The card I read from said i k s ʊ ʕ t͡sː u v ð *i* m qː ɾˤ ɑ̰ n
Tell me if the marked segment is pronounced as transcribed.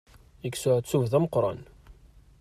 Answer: no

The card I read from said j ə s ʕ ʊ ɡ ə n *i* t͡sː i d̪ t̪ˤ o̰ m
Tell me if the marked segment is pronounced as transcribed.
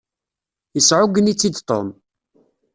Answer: yes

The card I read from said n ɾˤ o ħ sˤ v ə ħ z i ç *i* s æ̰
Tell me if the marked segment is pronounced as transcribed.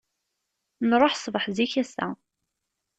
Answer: no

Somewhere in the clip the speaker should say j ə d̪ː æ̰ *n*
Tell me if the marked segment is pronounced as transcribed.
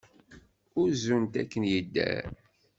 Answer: no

